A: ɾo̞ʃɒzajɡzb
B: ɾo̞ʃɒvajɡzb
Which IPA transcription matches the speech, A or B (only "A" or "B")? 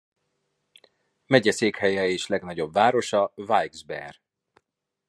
B